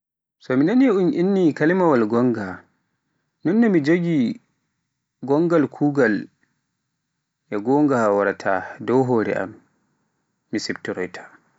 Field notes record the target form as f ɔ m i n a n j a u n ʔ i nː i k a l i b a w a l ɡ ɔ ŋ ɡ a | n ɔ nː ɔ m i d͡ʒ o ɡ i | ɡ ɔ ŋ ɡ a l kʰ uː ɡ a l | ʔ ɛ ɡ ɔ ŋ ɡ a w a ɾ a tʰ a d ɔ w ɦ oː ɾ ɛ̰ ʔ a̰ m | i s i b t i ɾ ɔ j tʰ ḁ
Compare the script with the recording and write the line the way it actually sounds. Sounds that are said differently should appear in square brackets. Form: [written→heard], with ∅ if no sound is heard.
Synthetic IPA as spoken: [f→s] ɔ m i n a n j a u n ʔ i nː i k a l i [b→m] a w a l ɡ ɔ ŋ ɡ a | n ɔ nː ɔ m i d͡ʒ o ɡ i | ɡ ɔ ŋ ɡ a l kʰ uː ɡ a l | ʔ ɛ ɡ ɔ ŋ ɡ a w a ɾ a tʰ a d ɔ w ɦ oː ɾ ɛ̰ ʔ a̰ m | i s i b t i ɾ ɔ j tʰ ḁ